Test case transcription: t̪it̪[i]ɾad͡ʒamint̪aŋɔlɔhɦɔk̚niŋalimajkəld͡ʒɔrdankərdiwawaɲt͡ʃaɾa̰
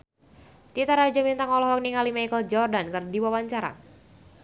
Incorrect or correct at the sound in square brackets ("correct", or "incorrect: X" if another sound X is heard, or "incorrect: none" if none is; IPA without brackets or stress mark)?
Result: incorrect: a